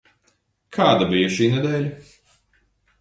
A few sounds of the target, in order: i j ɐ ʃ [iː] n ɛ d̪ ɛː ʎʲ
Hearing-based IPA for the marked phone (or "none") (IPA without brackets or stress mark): iː